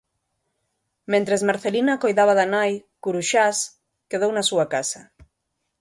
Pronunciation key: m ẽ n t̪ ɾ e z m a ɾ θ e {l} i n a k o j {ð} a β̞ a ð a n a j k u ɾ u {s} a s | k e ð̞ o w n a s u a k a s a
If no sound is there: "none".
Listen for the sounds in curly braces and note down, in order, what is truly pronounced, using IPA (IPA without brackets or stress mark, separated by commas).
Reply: l, ð, ʃ